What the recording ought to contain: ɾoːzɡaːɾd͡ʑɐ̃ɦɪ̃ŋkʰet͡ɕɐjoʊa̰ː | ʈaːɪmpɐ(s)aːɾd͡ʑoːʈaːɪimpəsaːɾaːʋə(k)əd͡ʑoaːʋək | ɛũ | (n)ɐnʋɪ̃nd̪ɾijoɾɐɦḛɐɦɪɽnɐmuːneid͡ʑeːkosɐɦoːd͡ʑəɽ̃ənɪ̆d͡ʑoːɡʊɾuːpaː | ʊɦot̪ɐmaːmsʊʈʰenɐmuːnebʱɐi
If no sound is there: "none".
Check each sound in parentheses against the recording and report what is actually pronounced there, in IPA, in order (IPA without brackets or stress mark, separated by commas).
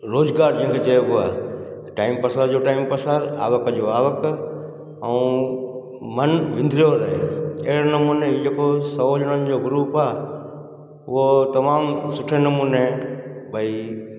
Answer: s, k, m